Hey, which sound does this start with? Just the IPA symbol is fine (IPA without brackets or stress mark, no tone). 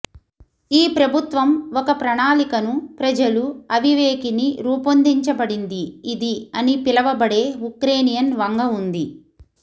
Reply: iː